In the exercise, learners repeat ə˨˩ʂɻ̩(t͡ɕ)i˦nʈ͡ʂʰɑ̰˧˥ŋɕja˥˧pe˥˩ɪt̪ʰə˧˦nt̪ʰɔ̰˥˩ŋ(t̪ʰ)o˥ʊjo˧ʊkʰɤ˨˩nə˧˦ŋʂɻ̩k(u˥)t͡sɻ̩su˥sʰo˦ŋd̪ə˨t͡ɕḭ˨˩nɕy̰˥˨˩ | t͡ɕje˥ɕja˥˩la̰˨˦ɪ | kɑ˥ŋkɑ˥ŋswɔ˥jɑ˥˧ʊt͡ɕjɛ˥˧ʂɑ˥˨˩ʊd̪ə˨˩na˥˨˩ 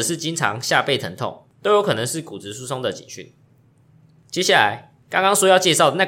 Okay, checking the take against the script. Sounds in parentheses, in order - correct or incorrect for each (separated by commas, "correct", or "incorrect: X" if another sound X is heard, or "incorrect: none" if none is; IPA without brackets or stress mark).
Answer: correct, incorrect: t̪, incorrect: u˨˩